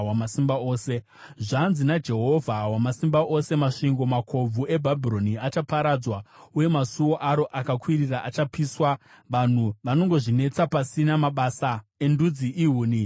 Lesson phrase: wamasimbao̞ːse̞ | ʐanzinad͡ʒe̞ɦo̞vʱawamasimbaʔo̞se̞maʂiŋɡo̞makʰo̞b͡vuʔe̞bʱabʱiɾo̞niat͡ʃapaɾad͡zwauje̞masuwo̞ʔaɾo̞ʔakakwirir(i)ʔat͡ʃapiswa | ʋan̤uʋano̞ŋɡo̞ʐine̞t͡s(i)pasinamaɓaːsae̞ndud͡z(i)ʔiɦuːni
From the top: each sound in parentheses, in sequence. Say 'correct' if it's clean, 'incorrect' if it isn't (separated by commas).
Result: incorrect, incorrect, correct